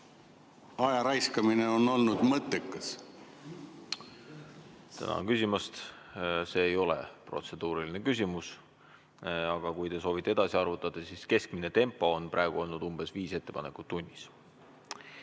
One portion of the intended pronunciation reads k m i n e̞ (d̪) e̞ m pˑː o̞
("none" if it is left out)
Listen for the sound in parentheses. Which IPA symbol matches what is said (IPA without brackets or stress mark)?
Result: t̪